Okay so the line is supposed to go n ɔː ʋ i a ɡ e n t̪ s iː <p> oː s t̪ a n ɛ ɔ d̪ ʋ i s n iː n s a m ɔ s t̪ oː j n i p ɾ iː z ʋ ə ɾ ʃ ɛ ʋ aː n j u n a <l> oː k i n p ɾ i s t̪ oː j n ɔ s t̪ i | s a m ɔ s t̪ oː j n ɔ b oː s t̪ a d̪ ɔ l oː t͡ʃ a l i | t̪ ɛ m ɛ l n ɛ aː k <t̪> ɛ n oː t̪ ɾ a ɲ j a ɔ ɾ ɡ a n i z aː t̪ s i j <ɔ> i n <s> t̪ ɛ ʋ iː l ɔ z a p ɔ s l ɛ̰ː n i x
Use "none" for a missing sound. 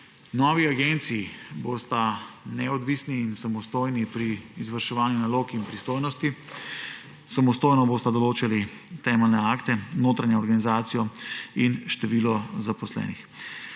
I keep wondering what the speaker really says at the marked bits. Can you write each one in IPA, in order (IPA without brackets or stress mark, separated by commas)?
b, l, t̪, ɔ, ʃ